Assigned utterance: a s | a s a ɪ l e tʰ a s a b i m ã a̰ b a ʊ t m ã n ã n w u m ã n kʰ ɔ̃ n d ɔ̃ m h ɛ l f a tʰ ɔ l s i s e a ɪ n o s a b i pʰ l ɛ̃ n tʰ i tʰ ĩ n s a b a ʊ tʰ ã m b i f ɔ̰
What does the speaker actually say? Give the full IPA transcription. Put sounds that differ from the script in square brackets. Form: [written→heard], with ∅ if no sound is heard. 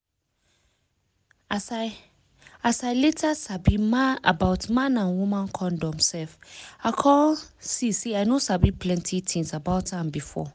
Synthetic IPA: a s | a s a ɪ l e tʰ a s a b i m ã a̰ b a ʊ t m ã n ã n w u m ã n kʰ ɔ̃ n d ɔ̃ m [h→s] ɛ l f a [tʰ→kʰ] ɔ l s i s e a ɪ n o s a b i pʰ l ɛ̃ n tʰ i tʰ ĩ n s a b a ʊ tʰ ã m b i f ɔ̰

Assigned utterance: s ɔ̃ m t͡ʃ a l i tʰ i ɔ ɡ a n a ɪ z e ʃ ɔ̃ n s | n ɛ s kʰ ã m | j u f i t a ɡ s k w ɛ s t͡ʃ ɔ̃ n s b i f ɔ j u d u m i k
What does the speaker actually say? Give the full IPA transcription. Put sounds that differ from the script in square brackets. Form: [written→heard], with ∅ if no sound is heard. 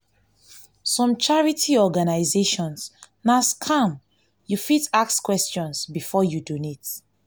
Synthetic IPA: s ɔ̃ m t͡ʃ a [l→ɹ] i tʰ i ɔ ɡ a n a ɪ z e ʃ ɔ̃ n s | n [ɛ→a] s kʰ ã m | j u f i t a [ɡ→k] s k w ɛ s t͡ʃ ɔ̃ n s b i f ɔ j u d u [m→n] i [k→t]

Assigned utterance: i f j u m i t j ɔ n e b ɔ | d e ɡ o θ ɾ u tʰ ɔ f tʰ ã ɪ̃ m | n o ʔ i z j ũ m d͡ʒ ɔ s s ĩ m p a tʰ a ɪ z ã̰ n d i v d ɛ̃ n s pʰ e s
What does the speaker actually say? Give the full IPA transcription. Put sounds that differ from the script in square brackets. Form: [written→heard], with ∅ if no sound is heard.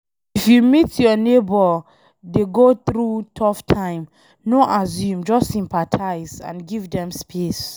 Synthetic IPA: i f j u m i t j ɔ n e b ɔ | d e ɡ o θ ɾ u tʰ ɔ f tʰ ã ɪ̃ m | n o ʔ [i→a] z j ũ m d͡ʒ ɔ s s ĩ m p a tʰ a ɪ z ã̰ n [d→ɡ] i v d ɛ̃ [n→m] s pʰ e s

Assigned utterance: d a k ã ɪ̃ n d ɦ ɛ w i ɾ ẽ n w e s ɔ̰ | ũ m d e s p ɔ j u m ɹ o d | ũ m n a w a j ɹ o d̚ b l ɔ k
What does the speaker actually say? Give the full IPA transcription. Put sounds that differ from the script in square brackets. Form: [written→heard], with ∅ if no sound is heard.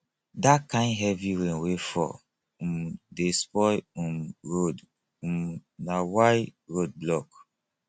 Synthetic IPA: d a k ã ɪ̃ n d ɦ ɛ [w→v] i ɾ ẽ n w e [s→f] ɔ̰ | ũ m d e s p ɔ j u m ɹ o d | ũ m n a w a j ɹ o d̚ b l ɔ k

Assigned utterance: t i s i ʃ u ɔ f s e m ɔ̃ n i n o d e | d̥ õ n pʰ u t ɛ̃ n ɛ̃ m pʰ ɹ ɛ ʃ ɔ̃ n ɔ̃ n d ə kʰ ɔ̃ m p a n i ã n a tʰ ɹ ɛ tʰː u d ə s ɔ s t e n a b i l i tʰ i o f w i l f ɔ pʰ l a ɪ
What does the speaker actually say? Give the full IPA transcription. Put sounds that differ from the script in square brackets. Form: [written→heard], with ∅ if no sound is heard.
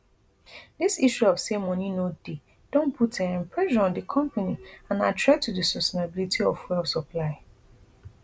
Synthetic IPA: [t→d] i s i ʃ u ɔ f s e m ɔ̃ n i n o d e | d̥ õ n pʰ u t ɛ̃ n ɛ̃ m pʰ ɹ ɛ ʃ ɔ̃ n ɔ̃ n d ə kʰ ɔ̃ m p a n i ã n a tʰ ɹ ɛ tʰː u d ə s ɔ s t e n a b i l i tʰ i [o→ɔ] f w [i→ɛ] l [f→s] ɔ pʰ l a ɪ

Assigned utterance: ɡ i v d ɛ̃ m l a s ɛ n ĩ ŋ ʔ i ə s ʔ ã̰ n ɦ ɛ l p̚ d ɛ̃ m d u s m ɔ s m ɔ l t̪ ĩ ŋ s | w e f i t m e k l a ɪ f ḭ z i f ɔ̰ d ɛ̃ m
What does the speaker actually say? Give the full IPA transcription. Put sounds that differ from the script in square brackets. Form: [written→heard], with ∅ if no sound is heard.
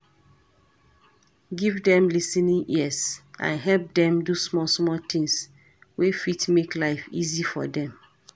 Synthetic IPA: ɡ i v d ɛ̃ m l [a→i] s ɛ n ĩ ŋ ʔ i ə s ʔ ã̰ n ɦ ɛ l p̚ d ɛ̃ m d u s m ɔ s m ɔ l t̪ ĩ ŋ s | w e f i t m e k l a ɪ f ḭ z i f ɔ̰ d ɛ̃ m

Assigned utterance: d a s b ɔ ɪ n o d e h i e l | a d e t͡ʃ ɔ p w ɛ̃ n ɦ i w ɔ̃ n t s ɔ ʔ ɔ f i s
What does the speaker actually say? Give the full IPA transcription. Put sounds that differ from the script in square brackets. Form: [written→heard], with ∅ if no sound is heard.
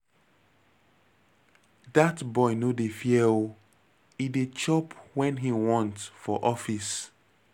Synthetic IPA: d a [s→t] b ɔ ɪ n o d e [h→f] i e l | [a→i] d e t͡ʃ ɔ p w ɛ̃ n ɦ i w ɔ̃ n t [s→f] ɔ ʔ ɔ f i s

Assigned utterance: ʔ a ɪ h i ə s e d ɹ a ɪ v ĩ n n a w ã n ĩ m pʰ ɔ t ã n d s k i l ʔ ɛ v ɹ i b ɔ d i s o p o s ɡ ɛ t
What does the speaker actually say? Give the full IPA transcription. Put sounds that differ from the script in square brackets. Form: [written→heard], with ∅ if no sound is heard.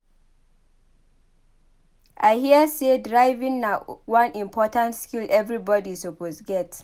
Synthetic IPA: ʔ a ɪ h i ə s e d ɹ a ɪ v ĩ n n a w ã n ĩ m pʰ ɔ t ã n [d→t] s k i l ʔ ɛ v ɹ i b ɔ d i s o p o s ɡ ɛ t

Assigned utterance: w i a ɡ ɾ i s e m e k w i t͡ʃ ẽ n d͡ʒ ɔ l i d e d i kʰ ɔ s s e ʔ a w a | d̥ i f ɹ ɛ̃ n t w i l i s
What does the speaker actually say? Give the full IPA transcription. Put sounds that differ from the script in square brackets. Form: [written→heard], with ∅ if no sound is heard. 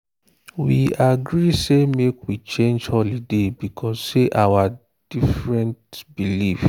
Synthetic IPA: w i a ɡ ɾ i s e m e k w i t͡ʃ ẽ n d͡ʒ ɔ l i d e [d→b] i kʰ ɔ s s e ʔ a w a | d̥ i f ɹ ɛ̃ n t [w→b] i l i [s→f]

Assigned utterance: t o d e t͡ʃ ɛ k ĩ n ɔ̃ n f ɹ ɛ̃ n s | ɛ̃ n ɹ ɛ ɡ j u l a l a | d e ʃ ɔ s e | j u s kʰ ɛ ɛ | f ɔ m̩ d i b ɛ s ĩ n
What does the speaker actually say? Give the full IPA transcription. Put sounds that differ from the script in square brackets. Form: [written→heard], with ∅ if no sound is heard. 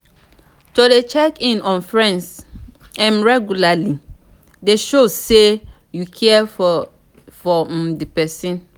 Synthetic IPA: t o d e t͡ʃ ɛ k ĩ n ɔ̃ n f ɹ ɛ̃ n s | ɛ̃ n ɹ ɛ ɡ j u l a l [a→i] | d e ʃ [ɔ→o] s e | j u [s→∅] kʰ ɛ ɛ | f ɔ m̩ d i [b→p] ɛ s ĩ n

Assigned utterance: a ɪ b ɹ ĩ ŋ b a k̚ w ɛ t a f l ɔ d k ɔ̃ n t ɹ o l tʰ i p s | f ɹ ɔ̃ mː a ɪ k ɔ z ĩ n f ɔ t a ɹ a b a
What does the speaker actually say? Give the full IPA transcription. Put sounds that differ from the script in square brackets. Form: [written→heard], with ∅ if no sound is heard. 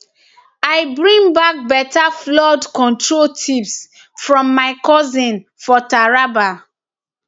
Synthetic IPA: a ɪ b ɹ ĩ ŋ b a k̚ [w→b] ɛ t a f l ɔ d k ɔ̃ n t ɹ o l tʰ i p s | f ɹ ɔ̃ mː a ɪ k ɔ z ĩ n f ɔ t a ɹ a b a

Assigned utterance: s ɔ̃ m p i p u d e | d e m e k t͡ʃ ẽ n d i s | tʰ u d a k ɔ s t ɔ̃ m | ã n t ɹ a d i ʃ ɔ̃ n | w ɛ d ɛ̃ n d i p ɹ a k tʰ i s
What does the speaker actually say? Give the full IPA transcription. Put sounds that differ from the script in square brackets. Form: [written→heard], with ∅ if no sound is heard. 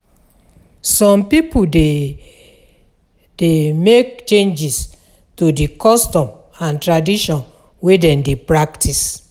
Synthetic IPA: s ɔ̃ m p i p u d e | d e m e k t͡ʃ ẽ n [d→d͡ʒ] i s | [tʰ→t] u d [a→i] k ɔ s t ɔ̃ m | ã n t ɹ a d i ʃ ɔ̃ n | w [ɛ→e] d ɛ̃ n d [i→e] p ɹ a k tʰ i s

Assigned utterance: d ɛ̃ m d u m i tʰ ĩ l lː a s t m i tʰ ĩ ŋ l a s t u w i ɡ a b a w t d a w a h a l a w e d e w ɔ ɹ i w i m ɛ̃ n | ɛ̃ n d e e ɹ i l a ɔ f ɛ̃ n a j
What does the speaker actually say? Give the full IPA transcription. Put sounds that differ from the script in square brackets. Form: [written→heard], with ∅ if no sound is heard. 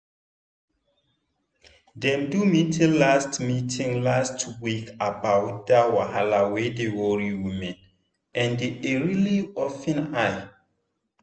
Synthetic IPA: d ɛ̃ m d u m i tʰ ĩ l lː a s t m i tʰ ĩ ŋ l a s t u w i [ɡ→k] a b a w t d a w a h a l a w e d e w ɔ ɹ i w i m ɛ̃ n | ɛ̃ n d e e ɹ i l [a→i] ɔ f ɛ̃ n a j

